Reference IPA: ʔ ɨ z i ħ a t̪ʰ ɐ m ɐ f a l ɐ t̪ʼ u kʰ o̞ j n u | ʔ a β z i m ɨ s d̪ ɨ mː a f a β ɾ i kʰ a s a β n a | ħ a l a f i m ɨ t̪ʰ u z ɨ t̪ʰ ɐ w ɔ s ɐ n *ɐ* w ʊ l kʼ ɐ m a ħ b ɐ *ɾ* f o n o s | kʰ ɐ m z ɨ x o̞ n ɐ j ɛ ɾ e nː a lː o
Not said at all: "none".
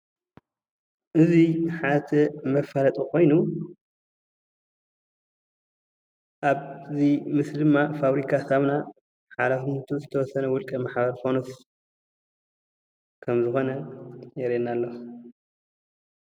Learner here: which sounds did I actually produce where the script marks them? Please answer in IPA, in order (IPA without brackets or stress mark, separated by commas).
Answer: ɐ, ɾ